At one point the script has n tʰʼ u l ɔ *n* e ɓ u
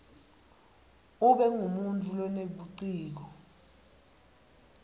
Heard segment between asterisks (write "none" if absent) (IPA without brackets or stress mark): n